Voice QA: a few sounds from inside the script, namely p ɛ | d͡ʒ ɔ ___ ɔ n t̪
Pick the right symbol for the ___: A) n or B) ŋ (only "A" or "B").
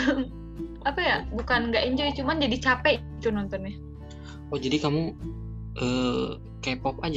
A